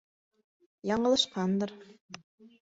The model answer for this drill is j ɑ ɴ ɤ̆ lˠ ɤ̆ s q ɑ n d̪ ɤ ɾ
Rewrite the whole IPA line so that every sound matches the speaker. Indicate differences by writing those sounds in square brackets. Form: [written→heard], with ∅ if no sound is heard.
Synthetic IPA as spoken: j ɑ ɴ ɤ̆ lˠ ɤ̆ [s→ʃ] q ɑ n d̪ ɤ ɾ